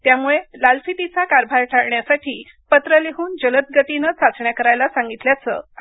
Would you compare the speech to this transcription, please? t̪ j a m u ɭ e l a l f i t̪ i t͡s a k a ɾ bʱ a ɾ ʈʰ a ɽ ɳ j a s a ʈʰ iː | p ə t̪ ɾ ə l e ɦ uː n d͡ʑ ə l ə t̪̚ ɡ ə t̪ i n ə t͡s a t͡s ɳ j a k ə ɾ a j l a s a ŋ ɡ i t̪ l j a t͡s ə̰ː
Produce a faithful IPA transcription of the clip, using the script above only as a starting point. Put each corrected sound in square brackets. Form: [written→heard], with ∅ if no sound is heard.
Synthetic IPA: t̪ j a m u ɭ e l a l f i t̪ i t͡s a k a ɾ bʱ a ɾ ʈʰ a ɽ ɳ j a s a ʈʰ iː | p ə t̪ ɾ ə l e ɦ uː n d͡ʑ ə l ə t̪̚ ɡ ə t̪ i n ə t͡s a t͡s ɳ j a k ə ɾ a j l a s a ŋ ɡ i t̪ l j a t͡s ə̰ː